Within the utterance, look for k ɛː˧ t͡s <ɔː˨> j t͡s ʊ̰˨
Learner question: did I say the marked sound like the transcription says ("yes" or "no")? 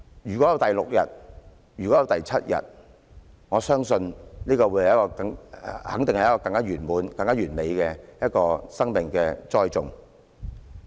no